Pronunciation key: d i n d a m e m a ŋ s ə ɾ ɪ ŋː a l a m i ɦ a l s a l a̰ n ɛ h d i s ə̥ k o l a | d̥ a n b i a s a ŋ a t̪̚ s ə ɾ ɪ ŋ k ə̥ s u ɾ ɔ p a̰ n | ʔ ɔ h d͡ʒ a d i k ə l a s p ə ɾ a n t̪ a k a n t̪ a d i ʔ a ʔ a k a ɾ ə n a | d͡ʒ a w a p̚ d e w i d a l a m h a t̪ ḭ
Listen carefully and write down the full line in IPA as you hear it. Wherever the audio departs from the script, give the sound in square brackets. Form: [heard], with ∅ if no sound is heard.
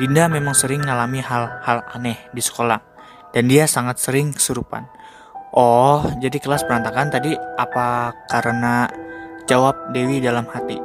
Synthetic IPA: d i n d a m e m a ŋ s ə ɾ ɪ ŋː a l a m i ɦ a l [h] a l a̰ n ɛ h d i s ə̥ k o l a | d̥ a n [d] i a s a ŋ a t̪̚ s ə ɾ ɪ ŋ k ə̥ s u ɾ [u] p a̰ n | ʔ ɔ h d͡ʒ a d i k ə l a s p ə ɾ a n t̪ a k a n t̪ a d i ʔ a [p] a k a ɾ ə n a | d͡ʒ a w a p̚ d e w i d a l a m h a t̪ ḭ